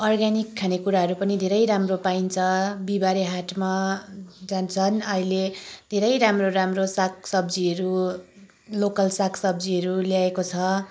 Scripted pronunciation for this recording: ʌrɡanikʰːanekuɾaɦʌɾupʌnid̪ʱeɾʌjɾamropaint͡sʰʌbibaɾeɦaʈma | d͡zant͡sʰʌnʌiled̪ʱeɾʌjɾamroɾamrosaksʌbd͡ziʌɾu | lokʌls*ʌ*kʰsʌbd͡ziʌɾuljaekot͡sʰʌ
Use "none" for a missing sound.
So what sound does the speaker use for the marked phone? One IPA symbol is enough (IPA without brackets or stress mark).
a